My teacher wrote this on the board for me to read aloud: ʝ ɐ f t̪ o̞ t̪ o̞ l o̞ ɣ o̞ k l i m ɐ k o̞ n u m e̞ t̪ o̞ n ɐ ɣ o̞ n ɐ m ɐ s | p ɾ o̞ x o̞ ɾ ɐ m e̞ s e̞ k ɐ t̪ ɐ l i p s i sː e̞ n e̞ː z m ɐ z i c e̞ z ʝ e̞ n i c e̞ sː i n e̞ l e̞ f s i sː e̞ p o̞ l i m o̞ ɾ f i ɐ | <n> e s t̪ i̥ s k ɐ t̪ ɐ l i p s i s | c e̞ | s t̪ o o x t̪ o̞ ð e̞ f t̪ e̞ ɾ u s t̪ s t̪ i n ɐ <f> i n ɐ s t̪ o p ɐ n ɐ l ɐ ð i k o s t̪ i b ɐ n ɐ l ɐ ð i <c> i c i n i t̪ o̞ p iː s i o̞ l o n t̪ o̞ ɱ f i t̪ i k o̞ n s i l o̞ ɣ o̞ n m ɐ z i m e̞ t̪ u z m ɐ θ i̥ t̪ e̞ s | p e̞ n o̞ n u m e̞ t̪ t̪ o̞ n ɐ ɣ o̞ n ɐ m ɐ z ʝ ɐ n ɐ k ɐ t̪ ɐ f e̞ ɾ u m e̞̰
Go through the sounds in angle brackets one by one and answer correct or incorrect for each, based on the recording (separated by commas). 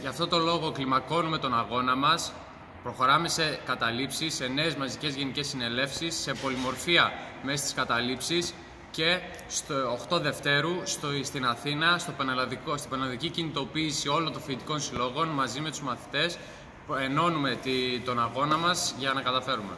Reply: incorrect, incorrect, correct